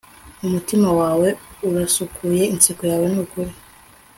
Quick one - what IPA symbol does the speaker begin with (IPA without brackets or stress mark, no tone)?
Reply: u